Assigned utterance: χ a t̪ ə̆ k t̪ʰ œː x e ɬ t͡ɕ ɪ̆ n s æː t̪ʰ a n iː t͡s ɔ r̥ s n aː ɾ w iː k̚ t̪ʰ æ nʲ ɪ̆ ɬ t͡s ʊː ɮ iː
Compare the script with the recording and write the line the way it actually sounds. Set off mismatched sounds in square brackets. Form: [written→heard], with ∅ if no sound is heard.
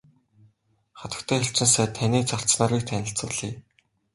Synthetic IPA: χ a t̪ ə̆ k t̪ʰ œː x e ɬ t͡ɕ ɪ̆ n s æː t̪ʰ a n iː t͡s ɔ r̥ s n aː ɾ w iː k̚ t̪ʰ æ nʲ ɪ̆ ɬ t͡s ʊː ɮ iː